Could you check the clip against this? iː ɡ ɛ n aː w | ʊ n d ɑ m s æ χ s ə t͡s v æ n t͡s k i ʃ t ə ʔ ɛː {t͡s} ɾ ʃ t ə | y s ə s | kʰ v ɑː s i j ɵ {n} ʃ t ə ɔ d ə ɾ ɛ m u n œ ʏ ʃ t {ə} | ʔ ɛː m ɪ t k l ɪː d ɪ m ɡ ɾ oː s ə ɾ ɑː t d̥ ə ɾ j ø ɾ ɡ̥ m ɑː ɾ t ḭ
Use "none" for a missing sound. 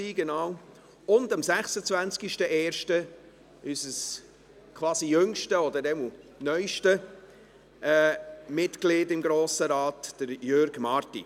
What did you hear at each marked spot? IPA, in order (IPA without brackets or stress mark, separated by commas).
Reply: none, ŋ, ə